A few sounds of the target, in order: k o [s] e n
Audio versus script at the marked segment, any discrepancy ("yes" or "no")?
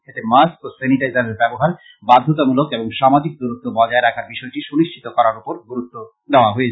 no